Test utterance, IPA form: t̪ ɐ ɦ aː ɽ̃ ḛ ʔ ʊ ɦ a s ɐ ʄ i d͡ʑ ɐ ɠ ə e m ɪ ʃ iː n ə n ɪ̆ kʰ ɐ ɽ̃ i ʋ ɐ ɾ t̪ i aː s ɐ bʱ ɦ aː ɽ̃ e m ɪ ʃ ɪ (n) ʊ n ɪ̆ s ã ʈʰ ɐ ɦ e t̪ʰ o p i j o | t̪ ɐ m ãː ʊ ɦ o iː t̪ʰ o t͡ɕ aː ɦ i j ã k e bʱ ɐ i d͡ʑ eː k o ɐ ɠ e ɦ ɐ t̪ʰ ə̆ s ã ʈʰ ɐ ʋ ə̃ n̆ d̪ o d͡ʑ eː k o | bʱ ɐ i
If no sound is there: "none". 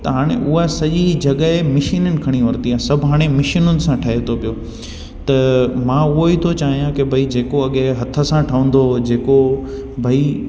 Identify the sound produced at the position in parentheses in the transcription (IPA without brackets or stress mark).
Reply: n